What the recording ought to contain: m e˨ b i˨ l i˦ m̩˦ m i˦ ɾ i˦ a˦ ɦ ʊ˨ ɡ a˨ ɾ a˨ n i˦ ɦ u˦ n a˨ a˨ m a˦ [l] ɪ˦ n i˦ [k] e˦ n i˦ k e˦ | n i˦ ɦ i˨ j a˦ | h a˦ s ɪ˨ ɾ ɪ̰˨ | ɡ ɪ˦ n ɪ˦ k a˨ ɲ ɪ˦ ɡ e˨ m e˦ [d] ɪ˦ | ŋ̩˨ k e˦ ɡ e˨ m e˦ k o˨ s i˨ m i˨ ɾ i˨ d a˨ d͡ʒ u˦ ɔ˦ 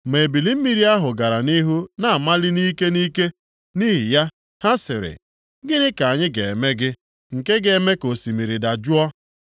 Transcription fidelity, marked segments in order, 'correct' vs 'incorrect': correct, correct, incorrect: ɡ

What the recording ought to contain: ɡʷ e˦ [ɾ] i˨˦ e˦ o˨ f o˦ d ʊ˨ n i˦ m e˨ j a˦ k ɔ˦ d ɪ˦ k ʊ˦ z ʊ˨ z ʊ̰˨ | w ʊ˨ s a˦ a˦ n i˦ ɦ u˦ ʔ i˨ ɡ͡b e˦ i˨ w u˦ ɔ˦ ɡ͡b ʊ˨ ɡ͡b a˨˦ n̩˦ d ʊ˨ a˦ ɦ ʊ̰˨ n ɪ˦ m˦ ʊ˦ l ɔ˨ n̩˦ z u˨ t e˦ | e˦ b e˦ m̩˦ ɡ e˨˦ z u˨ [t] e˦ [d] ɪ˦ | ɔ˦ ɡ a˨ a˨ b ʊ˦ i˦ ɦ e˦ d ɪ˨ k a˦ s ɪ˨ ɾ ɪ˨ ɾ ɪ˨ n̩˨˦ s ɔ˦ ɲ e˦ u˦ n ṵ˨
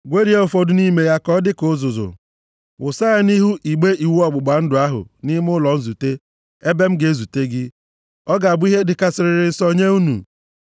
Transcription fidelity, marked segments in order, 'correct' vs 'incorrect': correct, correct, incorrect: ɡ

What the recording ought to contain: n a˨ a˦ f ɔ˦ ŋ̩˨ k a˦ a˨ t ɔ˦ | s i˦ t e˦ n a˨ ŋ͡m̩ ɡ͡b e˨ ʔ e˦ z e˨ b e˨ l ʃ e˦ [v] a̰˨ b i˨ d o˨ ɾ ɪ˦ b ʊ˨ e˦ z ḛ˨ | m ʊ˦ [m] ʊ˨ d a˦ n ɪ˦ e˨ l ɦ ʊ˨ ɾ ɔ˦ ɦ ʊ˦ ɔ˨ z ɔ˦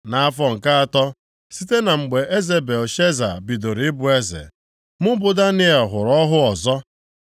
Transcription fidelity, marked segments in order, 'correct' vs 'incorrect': incorrect: z, incorrect: b

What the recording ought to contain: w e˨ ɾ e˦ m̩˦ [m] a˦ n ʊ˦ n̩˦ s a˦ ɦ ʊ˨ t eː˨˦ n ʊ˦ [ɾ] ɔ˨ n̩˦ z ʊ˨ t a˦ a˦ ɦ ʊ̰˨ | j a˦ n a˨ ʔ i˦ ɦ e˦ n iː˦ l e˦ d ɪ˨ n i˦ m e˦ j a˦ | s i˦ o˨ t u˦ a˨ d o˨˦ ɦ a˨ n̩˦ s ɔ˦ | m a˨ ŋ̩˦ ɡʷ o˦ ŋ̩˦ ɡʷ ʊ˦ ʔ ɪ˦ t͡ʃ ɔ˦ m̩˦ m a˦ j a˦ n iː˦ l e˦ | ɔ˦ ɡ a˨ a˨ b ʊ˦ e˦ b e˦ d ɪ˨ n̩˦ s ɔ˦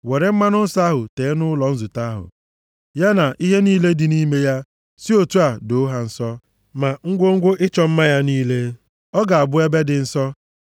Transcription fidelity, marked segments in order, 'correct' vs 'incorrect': correct, incorrect: l

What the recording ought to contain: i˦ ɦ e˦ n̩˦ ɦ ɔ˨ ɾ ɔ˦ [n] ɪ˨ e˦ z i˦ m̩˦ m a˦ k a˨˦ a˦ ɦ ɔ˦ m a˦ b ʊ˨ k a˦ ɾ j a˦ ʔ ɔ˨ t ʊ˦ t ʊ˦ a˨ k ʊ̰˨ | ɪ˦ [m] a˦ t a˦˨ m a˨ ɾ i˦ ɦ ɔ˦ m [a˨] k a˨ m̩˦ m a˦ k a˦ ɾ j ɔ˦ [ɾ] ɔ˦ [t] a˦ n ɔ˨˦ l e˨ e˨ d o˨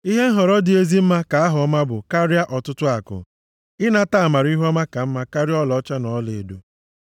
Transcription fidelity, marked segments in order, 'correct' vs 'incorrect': incorrect: d, incorrect: n, incorrect: a˦, incorrect: l, incorrect: t͡ʃ

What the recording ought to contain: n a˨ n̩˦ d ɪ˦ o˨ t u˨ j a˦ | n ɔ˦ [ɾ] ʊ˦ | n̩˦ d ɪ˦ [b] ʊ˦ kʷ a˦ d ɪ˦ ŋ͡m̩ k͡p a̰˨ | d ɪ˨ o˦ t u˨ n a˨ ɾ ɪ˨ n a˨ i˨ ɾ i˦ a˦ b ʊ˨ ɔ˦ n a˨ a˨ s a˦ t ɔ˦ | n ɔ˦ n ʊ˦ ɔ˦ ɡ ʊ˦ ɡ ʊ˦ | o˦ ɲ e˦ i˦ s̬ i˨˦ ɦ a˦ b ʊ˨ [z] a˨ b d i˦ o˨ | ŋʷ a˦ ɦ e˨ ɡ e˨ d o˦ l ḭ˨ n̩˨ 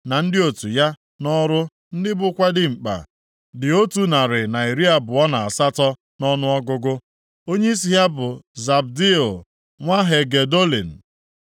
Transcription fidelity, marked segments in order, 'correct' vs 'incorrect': correct, correct, correct

